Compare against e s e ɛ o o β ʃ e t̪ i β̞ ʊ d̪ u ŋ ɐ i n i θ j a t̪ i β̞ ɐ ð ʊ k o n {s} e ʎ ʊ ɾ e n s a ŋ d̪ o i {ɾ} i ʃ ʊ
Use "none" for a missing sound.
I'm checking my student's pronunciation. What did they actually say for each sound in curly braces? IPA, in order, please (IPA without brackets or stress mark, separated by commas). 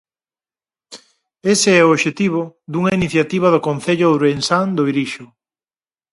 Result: θ, ɾ